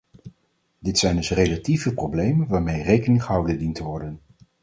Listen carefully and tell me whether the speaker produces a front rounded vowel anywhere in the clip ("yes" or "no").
no